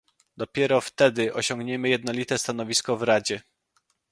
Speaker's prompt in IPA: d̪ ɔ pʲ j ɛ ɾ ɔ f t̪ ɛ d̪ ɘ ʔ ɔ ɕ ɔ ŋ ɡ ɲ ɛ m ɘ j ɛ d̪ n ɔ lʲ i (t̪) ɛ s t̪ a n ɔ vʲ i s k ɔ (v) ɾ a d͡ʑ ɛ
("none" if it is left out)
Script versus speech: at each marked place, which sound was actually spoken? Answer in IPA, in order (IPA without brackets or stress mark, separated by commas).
t̪, v